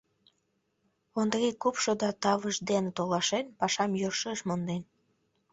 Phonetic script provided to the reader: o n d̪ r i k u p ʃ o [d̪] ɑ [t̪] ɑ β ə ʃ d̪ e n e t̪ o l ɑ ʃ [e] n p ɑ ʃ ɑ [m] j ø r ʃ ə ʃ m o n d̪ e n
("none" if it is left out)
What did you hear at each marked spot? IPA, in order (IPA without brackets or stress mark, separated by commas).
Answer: d̪, t̪, e, m